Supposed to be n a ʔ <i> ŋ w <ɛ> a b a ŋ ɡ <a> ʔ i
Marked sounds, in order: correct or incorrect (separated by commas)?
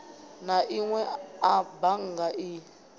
correct, correct, correct